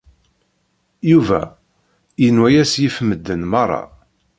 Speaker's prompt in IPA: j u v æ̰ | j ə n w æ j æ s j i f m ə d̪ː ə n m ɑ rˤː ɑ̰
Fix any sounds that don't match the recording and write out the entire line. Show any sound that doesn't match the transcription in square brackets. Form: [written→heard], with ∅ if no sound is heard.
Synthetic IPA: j u v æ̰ | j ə n w æ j æ s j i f m ə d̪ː ə n m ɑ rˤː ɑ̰